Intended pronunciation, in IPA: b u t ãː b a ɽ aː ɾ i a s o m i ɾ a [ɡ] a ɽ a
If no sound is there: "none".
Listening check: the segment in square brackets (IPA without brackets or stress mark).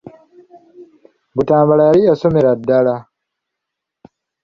d